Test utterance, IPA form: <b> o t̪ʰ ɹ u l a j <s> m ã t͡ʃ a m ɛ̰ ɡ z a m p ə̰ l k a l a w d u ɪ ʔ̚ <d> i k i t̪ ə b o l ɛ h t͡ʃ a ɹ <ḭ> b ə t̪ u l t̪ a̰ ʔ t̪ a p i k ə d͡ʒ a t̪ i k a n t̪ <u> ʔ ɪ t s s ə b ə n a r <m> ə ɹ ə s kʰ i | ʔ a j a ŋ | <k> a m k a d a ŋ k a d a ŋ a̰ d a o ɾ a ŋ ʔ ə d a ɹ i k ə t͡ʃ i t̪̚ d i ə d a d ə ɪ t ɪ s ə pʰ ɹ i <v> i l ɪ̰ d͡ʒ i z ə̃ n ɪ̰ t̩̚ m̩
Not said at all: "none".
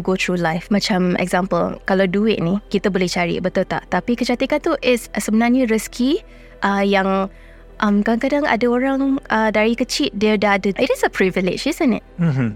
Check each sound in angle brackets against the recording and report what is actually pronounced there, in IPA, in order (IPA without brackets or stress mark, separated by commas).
ɡ, f, n, ḭ, u, ɲ, ʔ, v